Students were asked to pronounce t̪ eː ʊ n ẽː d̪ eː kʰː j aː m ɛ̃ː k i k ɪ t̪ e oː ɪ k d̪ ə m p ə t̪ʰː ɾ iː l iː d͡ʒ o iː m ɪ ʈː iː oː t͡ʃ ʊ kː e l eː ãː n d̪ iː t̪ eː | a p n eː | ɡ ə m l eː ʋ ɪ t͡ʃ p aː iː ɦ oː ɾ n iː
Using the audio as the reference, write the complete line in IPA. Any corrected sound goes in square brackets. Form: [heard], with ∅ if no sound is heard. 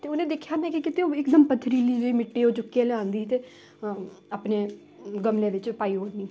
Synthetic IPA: t̪ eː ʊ n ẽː d̪ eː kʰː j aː m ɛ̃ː k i k ɪ t̪ e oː ɪ k d̪ ə m p ə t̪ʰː ɾ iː l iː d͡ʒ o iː m ɪ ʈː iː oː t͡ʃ ʊ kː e l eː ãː n d̪ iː t̪ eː | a p n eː | ɡ ə m l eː ʋ ɪ t͡ʃ p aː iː ɦ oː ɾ n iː

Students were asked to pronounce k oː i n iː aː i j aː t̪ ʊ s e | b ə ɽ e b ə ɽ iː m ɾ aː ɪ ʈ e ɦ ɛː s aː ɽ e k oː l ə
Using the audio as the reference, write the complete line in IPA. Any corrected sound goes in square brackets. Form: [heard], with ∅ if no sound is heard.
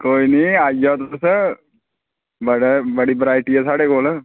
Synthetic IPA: k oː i n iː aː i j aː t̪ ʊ s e | b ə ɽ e b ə ɽ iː [b] ɾ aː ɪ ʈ [i] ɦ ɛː s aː ɽ e k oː l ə

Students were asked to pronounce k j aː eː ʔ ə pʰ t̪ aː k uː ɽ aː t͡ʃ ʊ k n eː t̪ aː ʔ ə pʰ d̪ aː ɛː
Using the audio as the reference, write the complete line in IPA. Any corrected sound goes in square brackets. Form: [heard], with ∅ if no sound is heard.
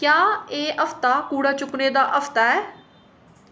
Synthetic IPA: k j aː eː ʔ ə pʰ t̪ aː k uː ɽ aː t͡ʃ ʊ k n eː [d̪] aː ʔ ə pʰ [t̪] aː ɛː

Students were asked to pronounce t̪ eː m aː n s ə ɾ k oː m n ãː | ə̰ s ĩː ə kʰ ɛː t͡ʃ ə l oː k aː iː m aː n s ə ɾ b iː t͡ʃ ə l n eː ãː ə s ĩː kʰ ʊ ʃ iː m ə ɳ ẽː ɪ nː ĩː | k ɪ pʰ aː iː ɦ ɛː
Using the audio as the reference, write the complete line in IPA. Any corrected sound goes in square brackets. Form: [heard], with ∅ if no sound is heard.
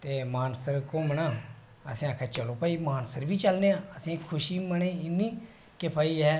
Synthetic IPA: t̪ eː m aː n s ə ɾ k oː m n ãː | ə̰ s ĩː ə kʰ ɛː t͡ʃ ə l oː [p] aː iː m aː n s ə ɾ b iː t͡ʃ ə l n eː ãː ə s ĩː kʰ ʊ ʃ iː m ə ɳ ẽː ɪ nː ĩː | k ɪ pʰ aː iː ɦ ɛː

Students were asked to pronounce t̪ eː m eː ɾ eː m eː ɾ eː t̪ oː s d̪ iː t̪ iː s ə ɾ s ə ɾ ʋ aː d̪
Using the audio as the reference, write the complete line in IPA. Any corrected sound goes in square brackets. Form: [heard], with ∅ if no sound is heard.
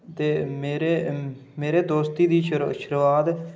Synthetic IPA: t̪ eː m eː ɾ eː m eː ɾ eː [d̪] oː s [t̪] iː [d̪] iː [ʃ] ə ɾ [ʃ] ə ɾ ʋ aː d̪

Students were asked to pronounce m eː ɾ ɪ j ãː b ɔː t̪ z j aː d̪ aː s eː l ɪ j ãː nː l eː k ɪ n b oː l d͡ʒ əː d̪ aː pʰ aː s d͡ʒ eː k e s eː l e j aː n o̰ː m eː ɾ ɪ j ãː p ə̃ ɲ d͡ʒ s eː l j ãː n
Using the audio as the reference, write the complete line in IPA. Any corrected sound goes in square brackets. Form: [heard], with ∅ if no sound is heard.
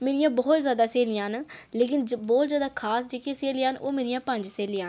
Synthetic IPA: m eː ɾ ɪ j ãː b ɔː t̪ z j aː d̪ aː s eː l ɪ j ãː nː l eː k ɪ n b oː l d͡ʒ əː d̪ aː [kʰ] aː s d͡ʒ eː k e s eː l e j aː n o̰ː m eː ɾ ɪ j ãː p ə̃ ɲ d͡ʒ s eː l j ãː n

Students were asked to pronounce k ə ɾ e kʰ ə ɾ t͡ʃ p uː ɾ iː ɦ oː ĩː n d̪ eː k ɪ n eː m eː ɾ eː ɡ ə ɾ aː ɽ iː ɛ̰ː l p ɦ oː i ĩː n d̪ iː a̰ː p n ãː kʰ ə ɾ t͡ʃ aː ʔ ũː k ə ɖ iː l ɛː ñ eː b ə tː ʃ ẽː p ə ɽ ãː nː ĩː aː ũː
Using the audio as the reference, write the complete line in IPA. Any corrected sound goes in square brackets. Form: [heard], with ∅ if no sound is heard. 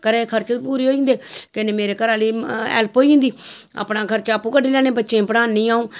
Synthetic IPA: k ə ɾ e kʰ ə ɾ t͡ʃ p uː ɾ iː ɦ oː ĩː n d̪ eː k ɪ n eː m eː ɾ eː [k] ə ɾ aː [l] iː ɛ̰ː l p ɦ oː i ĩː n d̪ iː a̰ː p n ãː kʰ ə ɾ t͡ʃ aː [p] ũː k ə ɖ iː l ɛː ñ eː b ə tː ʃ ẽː p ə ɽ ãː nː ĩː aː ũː

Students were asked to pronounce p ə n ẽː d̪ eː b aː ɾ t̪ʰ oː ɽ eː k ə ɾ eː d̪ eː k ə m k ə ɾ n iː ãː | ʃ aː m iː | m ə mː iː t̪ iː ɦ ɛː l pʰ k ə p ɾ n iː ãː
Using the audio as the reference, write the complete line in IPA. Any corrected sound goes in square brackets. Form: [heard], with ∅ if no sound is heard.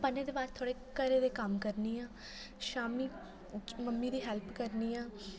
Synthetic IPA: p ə n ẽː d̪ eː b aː ɾ t̪ʰ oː ɽ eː k ə ɾ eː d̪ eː k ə m k ə ɾ n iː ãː | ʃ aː m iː | m ə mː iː [d̪] iː ɦ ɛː l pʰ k ə [∅] ɾ n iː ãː

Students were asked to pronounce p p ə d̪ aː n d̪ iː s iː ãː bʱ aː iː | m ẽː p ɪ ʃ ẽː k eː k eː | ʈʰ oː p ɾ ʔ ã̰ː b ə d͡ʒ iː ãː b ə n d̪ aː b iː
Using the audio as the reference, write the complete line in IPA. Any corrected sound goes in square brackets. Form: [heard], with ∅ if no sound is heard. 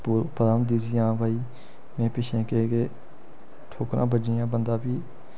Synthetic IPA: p p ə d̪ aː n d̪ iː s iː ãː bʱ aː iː | m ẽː p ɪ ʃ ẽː k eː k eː | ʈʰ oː [k] ɾ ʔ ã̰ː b ə d͡ʒ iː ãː b ə n d̪ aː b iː

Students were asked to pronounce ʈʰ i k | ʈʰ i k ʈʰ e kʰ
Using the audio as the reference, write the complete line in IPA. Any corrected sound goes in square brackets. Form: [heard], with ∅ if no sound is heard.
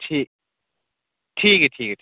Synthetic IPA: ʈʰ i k | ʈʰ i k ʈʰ [i] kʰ

